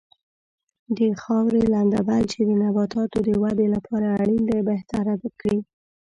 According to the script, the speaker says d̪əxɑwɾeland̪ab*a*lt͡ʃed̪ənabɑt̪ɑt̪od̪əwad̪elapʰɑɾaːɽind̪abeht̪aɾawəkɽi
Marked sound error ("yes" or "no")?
no